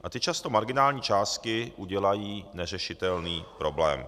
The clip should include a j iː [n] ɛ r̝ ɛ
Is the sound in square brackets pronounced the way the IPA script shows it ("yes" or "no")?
yes